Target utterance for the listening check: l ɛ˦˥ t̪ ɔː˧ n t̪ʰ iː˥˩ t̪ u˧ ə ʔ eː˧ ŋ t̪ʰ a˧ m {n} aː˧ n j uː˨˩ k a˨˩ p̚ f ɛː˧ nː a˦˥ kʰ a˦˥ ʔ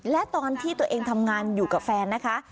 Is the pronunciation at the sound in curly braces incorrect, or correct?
incorrect: ŋ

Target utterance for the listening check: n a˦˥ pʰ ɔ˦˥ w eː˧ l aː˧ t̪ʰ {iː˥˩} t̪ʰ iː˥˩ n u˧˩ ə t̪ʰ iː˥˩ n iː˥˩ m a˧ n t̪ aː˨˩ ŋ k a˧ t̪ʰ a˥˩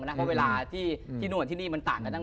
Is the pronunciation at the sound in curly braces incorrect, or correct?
correct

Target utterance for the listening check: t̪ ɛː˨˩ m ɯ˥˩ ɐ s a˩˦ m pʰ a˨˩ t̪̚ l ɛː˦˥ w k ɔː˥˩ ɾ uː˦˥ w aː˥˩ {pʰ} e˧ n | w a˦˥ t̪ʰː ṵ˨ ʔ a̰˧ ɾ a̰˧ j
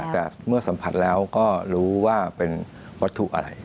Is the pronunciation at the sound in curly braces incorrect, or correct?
incorrect: p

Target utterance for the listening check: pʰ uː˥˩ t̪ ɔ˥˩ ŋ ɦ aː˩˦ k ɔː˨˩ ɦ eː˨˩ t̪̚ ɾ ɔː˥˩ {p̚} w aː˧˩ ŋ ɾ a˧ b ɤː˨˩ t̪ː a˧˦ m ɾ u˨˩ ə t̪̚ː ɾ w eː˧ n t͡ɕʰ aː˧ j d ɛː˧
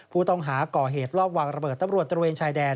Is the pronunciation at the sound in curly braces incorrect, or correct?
correct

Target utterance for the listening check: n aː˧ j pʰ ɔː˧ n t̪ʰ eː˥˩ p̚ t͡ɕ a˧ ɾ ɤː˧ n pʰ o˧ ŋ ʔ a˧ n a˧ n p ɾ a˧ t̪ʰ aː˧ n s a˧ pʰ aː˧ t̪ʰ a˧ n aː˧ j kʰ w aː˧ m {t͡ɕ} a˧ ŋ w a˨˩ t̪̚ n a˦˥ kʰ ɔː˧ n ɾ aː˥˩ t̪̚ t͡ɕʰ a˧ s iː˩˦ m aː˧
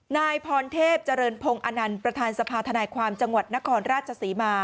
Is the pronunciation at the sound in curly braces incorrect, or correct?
correct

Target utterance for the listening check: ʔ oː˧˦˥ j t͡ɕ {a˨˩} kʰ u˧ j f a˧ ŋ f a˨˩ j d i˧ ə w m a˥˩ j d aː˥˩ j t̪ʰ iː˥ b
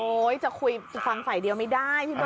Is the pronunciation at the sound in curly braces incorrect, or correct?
correct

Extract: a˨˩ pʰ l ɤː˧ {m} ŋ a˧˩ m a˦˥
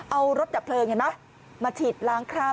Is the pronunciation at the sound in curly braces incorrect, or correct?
incorrect: none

